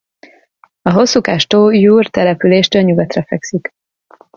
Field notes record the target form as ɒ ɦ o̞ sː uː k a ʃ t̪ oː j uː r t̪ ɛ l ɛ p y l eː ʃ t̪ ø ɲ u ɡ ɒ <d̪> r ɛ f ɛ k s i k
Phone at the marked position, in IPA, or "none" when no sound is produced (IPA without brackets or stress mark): t̪